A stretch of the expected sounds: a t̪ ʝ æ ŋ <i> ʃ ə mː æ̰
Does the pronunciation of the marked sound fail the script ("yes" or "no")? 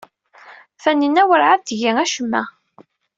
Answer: yes